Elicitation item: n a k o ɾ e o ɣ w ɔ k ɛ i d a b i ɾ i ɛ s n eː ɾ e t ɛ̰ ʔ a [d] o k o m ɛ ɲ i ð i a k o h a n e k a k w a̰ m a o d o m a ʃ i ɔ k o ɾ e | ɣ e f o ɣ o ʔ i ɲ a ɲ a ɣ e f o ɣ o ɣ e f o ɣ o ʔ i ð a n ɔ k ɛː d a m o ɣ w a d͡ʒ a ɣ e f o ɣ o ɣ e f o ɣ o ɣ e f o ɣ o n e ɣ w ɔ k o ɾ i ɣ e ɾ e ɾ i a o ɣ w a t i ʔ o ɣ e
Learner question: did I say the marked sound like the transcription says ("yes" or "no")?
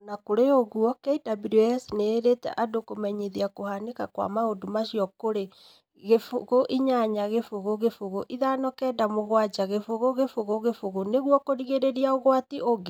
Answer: yes